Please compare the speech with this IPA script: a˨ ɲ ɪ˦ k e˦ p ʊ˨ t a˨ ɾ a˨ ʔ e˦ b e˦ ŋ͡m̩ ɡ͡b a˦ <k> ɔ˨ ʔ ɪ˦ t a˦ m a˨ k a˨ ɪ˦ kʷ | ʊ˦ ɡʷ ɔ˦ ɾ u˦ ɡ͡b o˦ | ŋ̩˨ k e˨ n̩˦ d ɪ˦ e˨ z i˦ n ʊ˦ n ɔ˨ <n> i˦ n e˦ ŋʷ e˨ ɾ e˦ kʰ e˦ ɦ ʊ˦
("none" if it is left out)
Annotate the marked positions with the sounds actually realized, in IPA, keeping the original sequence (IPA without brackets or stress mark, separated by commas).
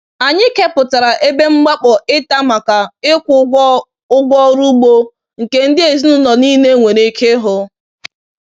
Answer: k͡p, n